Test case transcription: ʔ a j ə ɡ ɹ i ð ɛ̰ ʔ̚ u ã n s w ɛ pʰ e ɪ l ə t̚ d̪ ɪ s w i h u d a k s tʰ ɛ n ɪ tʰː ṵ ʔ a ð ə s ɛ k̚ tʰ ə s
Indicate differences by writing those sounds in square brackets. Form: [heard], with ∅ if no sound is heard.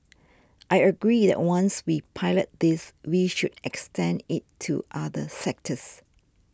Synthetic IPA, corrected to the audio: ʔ a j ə ɡ ɹ i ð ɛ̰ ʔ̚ [w] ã n s w [i] pʰ [a] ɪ l ə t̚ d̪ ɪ s w i [ʃ] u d [ɛ] k s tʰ [ɛ̃] n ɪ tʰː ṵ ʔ a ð ə s ɛ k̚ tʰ ə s

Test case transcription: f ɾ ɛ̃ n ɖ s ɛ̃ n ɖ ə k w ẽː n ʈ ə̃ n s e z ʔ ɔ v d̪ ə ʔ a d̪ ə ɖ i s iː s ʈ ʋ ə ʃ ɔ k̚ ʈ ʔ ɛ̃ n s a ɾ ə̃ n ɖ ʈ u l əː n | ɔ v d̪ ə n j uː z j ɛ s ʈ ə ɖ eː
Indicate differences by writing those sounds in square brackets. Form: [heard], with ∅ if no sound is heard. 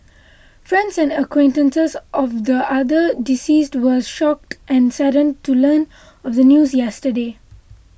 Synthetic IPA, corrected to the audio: f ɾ ɛ̃ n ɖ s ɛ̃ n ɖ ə k w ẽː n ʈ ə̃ n s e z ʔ ɔ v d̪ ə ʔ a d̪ ə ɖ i s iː s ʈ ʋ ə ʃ ɔ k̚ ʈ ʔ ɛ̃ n s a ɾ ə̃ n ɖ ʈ u l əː n | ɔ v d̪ ə n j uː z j ɛ s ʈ ə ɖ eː

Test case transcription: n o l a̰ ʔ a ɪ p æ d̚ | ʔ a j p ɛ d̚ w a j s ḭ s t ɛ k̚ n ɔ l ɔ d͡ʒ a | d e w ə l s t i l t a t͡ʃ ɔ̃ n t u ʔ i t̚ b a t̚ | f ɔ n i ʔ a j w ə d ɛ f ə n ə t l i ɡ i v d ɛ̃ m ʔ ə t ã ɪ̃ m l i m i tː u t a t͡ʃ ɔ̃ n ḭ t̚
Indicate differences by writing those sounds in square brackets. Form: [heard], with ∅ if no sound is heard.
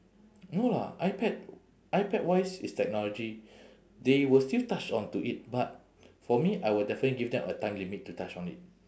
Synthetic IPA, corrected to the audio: n o l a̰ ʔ a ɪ p [ɛ] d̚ | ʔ a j p ɛ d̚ w a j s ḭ s t ɛ k̚ n ɔ l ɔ d͡ʒ [i] | d e w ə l s t i l t a t͡ʃ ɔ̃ n t u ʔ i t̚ b a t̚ | f ɔ [m] i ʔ a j w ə d ɛ f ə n ə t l i ɡ i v d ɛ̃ m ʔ ə t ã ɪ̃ m l i m i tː u t a t͡ʃ ɔ̃ n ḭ t̚

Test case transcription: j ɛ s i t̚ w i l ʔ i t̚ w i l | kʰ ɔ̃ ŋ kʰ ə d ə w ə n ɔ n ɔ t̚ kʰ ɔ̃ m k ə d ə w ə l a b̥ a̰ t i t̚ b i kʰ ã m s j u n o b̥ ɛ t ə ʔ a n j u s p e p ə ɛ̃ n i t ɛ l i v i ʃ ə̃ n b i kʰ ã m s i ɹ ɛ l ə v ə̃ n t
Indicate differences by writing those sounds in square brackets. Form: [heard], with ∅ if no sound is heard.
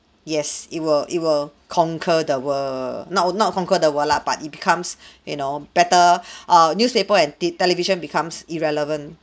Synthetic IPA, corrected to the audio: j ɛ s i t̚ w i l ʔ i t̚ w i l | kʰ ɔ̃ ŋ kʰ ə d ə w ə n ɔ n ɔ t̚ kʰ ɔ̃ [ŋ] k ə d ə w ə l a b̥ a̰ t i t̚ b i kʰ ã m s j u n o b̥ ɛ t ə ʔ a n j u s p e p ə ɛ̃ n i t ɛ l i v i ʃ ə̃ n b i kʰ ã m s i ɹ ɛ l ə v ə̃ n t

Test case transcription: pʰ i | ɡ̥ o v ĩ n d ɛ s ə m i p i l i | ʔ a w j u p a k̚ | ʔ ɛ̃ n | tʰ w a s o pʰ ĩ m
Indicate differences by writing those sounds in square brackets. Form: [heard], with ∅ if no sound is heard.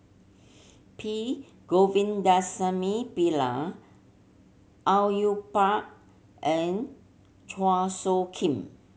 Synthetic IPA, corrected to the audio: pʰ i | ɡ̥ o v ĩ n d [a] s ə m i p i l [a] | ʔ a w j u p a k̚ | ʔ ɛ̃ n | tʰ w a s o [kʰ] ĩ m

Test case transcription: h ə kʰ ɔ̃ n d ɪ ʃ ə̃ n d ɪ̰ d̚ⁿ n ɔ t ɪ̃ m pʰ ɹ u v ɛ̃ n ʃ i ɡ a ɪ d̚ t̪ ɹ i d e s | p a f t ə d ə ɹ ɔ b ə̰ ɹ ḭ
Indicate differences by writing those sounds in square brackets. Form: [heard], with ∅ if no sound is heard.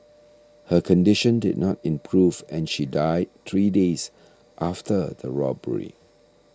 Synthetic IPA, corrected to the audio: h ə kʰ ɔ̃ n d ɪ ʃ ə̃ n d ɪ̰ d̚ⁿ n ɔ t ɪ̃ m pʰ ɹ u v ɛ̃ n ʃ i [d] a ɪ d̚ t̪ ɹ i d e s | [ʔ] a f t ə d ə ɹ ɔ b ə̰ ɹ ḭ

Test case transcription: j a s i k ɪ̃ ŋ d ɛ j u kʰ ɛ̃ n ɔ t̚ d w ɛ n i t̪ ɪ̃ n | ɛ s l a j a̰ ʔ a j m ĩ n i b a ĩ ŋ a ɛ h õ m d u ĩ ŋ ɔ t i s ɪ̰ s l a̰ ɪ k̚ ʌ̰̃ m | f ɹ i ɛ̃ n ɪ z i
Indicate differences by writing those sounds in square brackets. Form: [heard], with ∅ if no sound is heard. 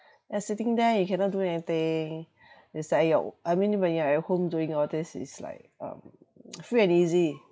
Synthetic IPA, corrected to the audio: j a s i [t] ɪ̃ ŋ d ɛ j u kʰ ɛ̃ n ɔ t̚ d [u] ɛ n i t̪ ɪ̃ [ŋ] | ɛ s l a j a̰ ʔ a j m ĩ n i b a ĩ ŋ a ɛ h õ m d u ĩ ŋ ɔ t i s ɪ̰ s l a̰ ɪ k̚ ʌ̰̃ m | f ɹ i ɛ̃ n [i] z i

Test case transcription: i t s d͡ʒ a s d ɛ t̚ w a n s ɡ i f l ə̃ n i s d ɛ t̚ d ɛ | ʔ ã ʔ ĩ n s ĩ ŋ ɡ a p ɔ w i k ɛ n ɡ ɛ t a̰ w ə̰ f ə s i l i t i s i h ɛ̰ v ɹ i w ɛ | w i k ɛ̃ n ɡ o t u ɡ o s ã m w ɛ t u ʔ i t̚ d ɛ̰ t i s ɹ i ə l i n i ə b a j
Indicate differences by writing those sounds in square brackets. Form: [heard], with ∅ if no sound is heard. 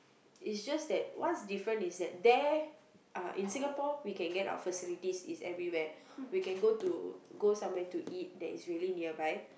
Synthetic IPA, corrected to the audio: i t s d͡ʒ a s d ɛ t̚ w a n s [d] i f [ɹ] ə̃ n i s d ɛ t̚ d ɛ | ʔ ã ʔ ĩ n s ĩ ŋ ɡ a p ɔ w i k [ɛ̃] n ɡ ɛ t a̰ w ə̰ f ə s i l i t i s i [s] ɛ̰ v ɹ i w ɛ | w i k ɛ̃ n ɡ o t u ɡ o s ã m w ɛ t u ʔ i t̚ d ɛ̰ t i s ɹ i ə l i n i ə b a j

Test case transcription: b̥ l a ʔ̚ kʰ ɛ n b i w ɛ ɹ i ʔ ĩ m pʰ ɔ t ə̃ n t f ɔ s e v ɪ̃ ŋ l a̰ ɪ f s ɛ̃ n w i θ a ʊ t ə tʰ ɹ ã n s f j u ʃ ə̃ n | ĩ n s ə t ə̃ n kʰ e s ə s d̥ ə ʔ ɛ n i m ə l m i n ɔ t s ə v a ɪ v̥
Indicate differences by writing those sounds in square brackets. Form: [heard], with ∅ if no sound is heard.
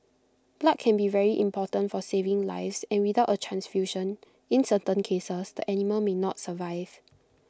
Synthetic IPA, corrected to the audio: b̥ l a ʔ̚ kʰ [ɛ̃] n b i [v] ɛ ɹ i ʔ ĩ m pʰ ɔ t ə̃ n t f ɔ s e v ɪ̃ ŋ l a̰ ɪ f s ɛ̃ n w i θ a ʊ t ə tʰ ɹ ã n s f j u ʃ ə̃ n | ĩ n s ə t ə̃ n kʰ e s ə s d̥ ə ʔ ɛ n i m ə l m [e] n ɔ t s ə v a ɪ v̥

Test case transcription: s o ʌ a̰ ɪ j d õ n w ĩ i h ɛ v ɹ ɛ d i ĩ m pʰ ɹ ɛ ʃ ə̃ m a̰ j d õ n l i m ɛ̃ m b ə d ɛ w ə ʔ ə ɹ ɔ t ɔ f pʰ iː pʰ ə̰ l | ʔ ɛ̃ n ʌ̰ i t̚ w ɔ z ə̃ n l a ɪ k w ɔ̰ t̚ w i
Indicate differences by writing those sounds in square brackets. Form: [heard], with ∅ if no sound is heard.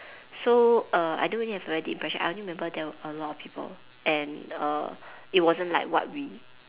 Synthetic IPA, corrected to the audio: s o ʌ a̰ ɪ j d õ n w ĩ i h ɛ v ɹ ɛ d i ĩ m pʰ ɹ ɛ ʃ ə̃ [n] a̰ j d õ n [ɹ] i m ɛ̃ m b ə d ɛ w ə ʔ ə [l] ɔ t ɔ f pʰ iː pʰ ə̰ l | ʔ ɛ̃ n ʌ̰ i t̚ w ɔ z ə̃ n l a ɪ k w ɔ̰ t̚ w i

